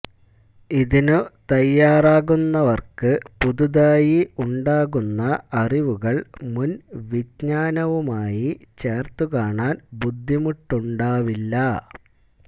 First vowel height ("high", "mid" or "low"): high